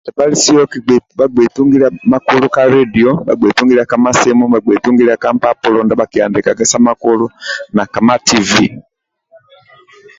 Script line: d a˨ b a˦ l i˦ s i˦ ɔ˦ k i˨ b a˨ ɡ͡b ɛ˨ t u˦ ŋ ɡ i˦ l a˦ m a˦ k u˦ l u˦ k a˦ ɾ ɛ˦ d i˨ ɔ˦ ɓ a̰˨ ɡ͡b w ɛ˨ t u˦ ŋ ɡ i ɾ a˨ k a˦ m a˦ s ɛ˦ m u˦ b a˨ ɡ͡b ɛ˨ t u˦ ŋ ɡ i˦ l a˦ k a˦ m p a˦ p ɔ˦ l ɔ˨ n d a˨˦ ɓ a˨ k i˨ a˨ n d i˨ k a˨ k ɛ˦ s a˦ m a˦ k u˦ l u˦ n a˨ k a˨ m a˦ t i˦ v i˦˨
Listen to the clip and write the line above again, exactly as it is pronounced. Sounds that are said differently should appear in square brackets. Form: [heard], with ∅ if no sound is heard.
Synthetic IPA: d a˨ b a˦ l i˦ s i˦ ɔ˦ k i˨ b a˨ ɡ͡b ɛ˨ t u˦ ŋ ɡ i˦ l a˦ m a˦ k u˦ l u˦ k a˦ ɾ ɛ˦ d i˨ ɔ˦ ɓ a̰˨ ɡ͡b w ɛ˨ t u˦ ŋ ɡ i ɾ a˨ k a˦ m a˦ s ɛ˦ m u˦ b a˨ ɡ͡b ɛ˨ t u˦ ŋ ɡ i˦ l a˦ k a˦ m p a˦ p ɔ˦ l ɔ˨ n d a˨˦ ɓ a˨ k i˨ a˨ n d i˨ k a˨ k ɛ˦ s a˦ m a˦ k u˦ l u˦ n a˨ k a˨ m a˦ t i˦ v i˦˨